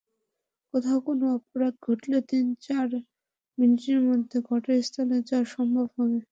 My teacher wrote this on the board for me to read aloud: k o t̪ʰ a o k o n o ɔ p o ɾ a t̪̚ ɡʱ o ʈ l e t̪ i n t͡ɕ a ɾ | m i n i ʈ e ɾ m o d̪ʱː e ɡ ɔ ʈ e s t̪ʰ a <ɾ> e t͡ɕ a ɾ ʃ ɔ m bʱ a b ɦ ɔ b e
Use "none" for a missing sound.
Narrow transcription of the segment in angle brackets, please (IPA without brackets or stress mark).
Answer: l